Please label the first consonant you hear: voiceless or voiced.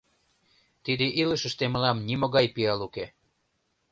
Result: voiceless